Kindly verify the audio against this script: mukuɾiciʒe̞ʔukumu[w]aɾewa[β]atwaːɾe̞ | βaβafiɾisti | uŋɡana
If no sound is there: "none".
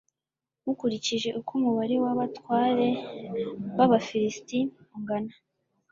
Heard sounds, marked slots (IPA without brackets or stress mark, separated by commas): β, β